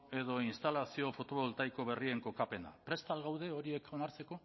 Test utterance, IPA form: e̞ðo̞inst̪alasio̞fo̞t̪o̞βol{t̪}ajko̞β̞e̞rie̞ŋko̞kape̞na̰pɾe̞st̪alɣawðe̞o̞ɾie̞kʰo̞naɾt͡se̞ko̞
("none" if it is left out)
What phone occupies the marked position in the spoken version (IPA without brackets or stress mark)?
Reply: t̪